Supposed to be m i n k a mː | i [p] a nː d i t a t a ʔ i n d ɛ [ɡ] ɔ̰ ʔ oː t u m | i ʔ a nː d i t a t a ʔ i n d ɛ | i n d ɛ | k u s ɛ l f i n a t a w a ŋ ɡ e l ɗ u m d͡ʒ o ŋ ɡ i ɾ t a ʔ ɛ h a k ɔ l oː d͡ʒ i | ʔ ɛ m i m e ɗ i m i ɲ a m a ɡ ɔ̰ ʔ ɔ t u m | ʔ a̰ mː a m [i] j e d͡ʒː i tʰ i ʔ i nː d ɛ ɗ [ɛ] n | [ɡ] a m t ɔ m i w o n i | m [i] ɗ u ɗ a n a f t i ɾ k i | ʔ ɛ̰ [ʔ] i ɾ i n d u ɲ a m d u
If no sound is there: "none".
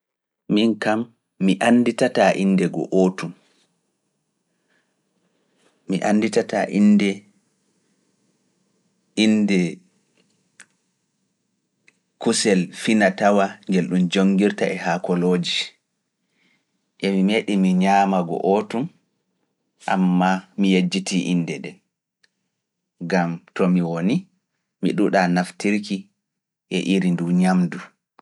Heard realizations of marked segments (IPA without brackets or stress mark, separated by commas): ʔ, ɡ, i, ɛ, ɡ, i, ʔ